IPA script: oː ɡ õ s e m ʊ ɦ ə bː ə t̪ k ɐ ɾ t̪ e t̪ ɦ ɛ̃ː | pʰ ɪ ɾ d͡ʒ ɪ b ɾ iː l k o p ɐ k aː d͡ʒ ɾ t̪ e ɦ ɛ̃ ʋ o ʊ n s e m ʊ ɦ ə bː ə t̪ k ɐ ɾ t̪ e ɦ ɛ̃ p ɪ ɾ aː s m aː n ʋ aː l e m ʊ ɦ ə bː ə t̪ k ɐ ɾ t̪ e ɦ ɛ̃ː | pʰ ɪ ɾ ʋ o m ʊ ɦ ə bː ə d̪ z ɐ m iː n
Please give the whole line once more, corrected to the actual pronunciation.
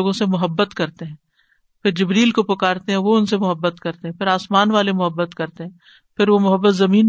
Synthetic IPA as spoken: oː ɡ õ s e m ʊ ɦ ə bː ə t̪ k ɐ ɾ t̪ e ɦ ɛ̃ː | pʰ ɪ ɾ d͡ʒ ɪ b ɾ iː l k o p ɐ k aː ɾ t̪ e ɦ ɛ̃ ʋ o ʊ n s e m ʊ ɦ ə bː ə t̪ k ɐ ɾ t̪ e ɦ ɛ̃ p ɪ ɾ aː s m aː n ʋ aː l e m ʊ ɦ ə bː ə t̪ k ɐ ɾ t̪ e ɦ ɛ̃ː | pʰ ɪ ɾ ʋ o m ʊ ɦ ə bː ə t̪ z ɐ m iː n